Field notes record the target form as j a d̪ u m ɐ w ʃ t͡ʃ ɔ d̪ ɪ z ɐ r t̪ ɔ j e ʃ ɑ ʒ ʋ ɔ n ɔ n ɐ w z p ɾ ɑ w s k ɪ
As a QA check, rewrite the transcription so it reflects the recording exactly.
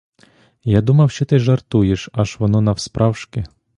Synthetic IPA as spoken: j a d̪ u m ɐ w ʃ t͡ʃ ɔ t̪ ɪ ʒ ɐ r t̪ u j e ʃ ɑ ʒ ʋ ɔ n ɔ n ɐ w s p ɾ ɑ w ʃ k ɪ